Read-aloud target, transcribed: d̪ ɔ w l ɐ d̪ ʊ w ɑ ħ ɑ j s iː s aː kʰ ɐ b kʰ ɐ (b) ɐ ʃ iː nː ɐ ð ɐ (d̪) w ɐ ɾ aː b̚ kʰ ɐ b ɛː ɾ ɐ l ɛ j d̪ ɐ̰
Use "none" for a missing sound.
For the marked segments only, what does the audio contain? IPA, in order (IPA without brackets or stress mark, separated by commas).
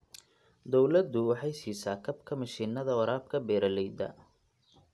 m, none